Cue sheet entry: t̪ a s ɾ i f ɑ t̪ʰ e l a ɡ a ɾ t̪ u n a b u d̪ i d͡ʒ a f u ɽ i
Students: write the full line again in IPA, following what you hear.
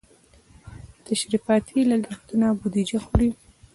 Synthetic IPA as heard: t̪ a ʃ ɾ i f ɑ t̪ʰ i l a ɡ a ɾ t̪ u n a b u d̪ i d͡ʒ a x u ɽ i